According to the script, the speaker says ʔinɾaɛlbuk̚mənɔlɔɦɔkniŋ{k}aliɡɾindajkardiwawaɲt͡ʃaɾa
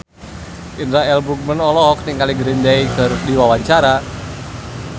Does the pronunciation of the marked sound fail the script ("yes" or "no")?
no